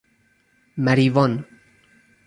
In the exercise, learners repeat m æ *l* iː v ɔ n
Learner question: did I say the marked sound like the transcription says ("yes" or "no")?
no